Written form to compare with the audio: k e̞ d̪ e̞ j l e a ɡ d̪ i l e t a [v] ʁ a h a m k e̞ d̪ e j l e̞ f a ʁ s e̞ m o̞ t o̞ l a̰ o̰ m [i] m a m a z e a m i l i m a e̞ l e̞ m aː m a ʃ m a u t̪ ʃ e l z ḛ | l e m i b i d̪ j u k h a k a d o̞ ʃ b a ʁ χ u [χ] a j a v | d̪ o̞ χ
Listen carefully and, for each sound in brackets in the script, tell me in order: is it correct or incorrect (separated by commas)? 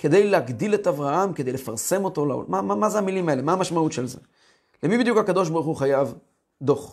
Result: correct, incorrect, correct